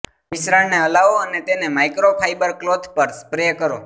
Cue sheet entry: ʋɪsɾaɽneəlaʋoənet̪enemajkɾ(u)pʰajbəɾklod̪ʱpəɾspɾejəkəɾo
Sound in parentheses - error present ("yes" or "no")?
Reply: yes